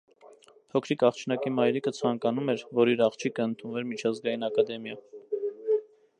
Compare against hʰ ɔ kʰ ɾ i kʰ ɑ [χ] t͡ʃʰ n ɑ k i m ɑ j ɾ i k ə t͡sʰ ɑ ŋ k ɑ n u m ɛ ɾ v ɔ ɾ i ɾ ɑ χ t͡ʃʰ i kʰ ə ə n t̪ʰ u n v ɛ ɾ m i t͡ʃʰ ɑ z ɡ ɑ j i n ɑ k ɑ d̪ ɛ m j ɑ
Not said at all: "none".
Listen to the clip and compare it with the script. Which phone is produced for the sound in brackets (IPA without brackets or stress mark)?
χ